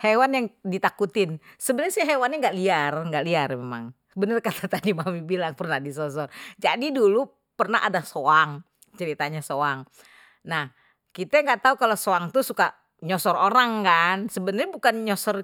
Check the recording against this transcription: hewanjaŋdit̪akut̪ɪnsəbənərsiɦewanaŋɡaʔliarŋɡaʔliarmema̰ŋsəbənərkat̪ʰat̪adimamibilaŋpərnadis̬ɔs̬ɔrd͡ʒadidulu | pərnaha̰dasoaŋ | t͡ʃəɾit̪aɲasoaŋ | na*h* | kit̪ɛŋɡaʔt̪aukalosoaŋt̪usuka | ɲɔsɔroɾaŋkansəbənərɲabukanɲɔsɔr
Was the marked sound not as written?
no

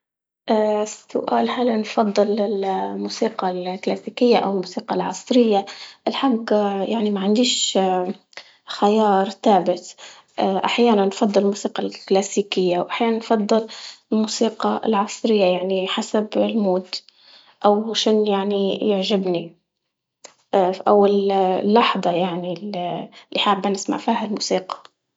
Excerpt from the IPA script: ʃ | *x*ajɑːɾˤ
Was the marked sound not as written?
no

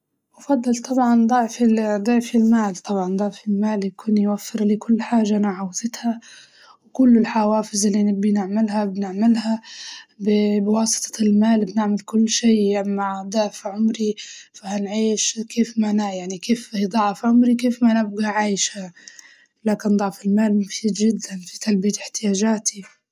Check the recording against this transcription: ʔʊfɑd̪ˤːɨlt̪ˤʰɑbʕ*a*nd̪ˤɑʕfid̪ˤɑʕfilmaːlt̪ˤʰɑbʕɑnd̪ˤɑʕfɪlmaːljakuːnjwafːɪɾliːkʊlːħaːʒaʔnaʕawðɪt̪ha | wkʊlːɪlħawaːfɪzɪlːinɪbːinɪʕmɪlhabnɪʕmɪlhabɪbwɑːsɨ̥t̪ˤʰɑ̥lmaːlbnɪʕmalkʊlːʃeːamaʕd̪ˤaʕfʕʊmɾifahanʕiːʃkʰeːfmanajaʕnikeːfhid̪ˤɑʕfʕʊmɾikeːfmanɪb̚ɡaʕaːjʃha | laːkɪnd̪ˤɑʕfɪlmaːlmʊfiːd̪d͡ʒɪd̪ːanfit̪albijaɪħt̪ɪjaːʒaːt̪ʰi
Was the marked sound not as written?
yes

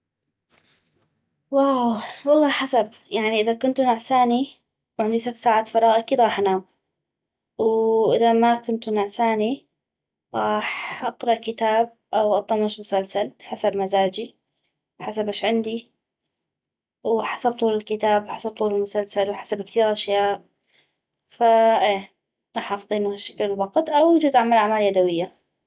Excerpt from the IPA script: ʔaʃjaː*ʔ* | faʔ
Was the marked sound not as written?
no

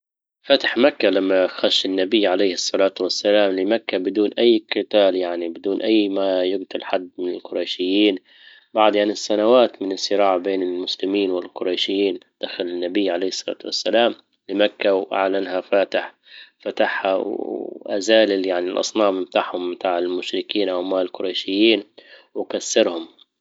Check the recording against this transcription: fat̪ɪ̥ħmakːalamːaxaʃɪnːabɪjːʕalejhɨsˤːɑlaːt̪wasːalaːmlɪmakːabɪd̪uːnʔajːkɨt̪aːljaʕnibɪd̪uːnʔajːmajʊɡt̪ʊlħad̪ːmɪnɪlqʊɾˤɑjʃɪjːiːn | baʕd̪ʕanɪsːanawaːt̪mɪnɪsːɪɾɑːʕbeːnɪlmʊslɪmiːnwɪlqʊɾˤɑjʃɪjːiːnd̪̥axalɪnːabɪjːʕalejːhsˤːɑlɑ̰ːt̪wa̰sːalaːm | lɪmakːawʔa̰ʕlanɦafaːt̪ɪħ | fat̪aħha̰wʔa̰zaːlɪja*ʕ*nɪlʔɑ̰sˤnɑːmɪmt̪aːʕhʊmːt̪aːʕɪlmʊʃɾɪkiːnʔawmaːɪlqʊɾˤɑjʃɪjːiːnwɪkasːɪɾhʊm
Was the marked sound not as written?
no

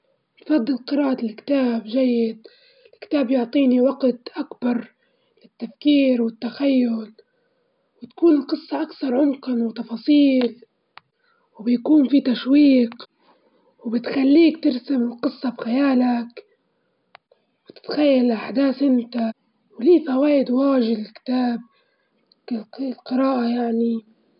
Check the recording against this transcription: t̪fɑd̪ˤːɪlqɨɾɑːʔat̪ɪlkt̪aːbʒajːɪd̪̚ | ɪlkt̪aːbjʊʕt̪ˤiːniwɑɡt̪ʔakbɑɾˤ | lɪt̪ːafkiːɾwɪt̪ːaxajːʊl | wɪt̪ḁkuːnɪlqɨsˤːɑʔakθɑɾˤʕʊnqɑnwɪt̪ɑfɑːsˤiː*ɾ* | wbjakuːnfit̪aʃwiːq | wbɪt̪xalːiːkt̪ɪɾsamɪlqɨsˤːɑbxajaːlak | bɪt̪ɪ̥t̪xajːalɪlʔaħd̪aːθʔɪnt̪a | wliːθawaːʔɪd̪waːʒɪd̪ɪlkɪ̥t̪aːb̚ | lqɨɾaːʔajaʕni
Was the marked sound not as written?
yes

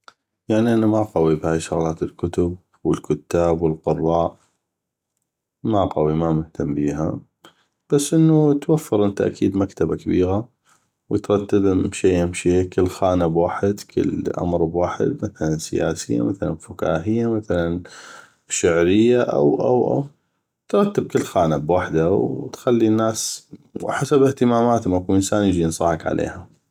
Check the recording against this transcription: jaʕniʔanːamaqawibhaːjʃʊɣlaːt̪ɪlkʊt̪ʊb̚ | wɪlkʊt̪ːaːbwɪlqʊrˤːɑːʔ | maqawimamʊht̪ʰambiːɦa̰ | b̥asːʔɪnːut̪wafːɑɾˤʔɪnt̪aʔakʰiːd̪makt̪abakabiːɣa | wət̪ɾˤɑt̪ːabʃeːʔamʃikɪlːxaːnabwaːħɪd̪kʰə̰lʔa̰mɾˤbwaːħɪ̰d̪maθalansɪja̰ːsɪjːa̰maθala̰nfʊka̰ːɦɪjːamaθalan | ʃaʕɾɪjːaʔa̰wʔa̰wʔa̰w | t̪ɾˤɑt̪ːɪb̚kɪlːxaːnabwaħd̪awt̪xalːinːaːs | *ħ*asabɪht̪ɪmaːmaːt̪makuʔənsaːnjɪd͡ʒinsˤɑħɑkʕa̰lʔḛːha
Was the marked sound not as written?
no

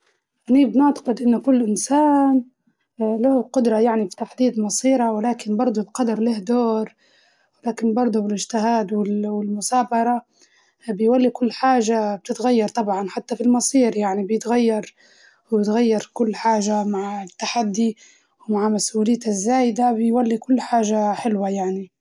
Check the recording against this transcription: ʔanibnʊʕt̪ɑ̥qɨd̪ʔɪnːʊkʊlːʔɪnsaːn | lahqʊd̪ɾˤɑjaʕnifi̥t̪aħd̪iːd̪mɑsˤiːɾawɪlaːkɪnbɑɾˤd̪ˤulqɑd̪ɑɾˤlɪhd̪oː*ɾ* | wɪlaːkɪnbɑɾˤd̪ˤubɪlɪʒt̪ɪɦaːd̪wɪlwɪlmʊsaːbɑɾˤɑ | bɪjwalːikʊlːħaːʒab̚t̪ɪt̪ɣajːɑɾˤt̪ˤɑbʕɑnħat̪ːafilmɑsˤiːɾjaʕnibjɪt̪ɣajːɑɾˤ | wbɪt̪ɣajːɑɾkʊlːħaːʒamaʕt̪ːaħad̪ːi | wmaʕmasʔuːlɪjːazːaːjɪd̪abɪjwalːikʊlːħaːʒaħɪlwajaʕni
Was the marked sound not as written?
no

